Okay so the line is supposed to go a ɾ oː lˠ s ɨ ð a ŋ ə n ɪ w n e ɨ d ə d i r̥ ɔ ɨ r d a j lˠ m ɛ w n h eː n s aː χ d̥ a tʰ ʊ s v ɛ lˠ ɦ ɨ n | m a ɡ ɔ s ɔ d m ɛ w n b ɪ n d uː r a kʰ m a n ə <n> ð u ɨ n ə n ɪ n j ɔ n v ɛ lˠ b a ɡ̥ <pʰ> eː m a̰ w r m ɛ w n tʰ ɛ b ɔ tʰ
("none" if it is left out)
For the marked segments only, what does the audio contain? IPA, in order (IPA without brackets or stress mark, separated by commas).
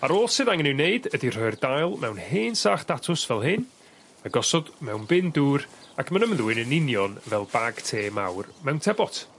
m, tʰ